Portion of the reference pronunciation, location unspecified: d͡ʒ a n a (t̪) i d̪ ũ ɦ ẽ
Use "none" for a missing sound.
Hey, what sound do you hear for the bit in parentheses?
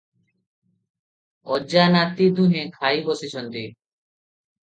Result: t̪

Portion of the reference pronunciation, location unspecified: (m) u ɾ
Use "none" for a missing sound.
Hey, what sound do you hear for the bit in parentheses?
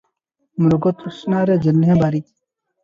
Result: m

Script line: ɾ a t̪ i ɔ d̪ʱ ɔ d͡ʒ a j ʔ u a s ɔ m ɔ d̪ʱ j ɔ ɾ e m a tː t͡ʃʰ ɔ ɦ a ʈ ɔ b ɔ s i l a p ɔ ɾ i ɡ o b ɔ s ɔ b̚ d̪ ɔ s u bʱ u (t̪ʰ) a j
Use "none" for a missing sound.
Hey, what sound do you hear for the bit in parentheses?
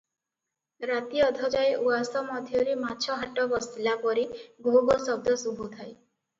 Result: t̪ʰ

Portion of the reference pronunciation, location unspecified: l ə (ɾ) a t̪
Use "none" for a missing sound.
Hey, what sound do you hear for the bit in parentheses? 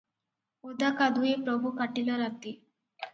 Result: ɾ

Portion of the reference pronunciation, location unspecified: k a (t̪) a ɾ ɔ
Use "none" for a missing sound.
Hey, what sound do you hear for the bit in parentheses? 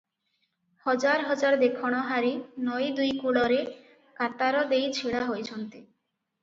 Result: t̪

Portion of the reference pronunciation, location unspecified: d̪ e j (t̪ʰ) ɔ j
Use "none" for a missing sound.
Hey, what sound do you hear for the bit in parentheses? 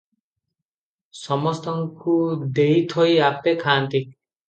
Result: t̪ʰ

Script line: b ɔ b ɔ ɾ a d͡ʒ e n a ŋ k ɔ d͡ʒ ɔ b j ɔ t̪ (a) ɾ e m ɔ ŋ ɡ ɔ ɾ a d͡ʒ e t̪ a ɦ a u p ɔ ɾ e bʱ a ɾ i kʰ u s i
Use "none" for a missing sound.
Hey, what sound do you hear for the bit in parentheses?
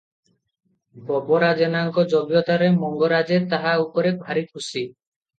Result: a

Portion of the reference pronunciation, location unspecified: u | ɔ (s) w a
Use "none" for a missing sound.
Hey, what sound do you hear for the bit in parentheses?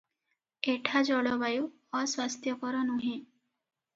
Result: s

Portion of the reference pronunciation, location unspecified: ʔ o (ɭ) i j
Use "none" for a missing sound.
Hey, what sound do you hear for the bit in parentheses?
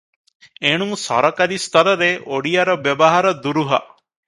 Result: ɽ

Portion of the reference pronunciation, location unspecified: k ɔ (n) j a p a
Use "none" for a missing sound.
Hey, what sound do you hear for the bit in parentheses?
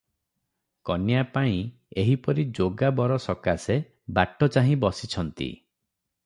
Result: n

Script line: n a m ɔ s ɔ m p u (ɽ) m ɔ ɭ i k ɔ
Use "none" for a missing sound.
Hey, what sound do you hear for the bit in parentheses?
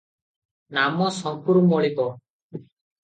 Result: ɾ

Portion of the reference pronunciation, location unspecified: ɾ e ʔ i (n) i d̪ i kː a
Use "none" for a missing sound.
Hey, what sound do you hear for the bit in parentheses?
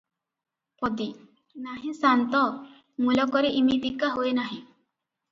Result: m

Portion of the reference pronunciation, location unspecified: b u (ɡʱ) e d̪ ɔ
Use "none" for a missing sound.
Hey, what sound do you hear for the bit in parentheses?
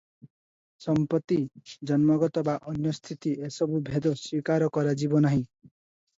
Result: bʱ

